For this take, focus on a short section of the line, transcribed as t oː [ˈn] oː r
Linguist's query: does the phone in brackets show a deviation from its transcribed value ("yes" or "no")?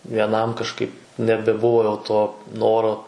no